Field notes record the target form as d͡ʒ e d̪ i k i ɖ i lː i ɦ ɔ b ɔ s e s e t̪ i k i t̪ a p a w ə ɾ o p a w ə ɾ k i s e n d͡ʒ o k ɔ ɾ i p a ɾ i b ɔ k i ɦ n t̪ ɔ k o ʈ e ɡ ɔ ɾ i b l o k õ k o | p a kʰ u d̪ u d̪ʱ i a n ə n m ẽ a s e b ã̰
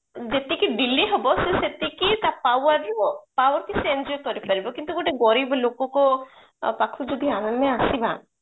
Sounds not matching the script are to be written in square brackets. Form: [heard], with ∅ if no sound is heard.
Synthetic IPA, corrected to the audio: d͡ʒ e [t̪] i k i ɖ i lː i ɦ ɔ b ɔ s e s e t̪ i k i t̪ a p a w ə ɾ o p a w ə ɾ k i s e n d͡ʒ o k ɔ ɾ i p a ɾ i b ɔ k i [∅] n t̪ [u] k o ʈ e ɡ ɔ ɾ i b l o k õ k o | p a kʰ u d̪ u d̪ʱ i a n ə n m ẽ a s [i] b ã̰